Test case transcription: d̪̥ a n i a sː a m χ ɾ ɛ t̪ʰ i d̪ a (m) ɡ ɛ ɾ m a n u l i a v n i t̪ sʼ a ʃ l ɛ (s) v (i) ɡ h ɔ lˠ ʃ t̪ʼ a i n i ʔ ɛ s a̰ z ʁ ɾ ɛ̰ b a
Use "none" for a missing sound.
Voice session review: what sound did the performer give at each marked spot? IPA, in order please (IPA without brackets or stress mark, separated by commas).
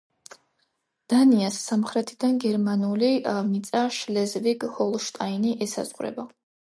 n, z, i